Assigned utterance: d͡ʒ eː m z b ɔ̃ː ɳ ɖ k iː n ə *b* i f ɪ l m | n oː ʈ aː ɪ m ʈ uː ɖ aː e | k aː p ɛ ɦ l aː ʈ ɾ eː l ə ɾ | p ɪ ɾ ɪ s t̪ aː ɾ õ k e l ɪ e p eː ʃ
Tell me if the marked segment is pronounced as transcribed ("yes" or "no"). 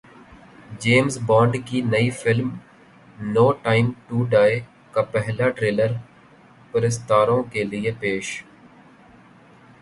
no